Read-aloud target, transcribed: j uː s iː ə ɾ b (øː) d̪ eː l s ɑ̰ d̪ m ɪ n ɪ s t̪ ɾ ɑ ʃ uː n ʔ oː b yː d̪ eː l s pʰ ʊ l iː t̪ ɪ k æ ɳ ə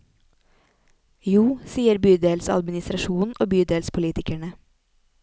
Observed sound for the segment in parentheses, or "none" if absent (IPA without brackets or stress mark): yː